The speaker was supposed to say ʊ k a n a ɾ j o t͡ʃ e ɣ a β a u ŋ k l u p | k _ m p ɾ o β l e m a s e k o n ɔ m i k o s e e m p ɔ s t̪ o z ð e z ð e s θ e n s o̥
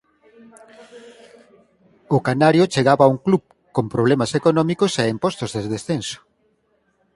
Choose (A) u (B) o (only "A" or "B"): B